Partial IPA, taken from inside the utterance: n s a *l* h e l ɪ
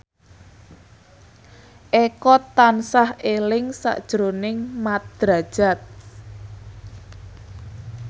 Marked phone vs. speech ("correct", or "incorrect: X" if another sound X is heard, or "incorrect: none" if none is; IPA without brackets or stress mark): incorrect: none